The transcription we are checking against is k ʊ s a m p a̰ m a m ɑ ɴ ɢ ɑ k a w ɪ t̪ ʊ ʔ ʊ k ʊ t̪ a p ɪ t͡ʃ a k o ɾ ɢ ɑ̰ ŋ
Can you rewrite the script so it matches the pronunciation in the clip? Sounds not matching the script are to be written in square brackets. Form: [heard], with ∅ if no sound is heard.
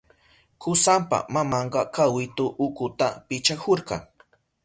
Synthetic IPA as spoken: k ʊ s a m p a̰ m a m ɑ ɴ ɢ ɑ k a w ɪ t̪ ʊ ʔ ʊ k ʊ t̪ a p ɪ t͡ʃ a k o ɾ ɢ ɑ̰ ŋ